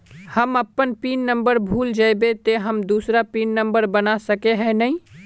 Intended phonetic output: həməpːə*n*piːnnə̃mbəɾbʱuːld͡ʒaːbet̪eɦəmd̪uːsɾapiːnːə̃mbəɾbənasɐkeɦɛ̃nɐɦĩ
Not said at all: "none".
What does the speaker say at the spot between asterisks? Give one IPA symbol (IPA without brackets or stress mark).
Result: n